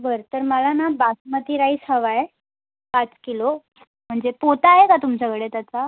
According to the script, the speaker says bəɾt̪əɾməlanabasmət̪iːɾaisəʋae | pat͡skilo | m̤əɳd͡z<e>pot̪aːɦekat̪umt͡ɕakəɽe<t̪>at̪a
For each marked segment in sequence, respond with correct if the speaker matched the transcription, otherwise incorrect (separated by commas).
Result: correct, correct